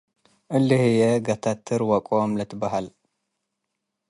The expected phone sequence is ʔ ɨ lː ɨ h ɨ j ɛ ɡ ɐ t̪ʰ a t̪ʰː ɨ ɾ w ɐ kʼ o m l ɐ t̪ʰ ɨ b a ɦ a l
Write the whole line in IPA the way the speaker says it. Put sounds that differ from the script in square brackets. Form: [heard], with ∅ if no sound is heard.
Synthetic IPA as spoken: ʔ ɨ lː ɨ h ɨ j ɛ ɡ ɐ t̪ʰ a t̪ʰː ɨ ɾ w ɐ kʼ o m l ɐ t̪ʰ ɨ b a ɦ a l